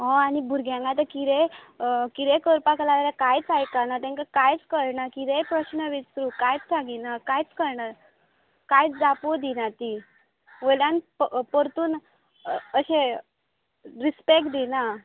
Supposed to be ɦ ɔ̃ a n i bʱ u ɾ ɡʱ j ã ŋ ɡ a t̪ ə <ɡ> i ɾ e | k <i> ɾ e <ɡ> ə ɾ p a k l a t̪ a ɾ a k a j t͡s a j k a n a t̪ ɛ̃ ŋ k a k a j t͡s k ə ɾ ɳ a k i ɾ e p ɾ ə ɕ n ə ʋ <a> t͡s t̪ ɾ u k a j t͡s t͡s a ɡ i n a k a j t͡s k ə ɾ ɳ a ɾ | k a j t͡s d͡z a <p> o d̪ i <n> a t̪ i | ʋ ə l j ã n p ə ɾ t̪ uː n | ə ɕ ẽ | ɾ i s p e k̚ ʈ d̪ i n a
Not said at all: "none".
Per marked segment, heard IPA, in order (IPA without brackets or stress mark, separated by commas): k, i, k, i, p, n